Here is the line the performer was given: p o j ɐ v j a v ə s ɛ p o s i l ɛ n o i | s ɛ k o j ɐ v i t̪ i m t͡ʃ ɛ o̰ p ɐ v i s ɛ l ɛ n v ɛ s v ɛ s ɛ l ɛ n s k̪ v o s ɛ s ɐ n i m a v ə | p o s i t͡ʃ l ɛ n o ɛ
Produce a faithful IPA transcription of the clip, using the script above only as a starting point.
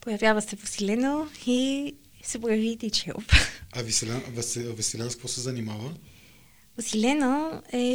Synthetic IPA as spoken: p o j ɐ v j a v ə s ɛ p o s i l ɛ n o i | s ɛ p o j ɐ v i t̪ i t͡ʃ ɛ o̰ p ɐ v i s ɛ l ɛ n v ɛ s v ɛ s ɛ l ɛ n s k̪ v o s ɛ z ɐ n i m a v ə | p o s i l ɛ n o ɛ